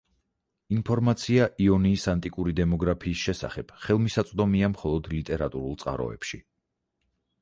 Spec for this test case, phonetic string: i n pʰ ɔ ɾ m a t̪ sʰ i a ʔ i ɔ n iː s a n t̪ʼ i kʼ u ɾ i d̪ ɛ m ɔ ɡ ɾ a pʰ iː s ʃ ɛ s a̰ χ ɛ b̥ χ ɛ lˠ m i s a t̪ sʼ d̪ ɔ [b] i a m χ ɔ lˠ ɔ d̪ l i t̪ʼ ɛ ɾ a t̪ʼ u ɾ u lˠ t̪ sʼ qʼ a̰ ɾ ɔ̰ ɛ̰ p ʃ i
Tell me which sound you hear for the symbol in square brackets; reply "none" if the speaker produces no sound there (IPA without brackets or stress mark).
m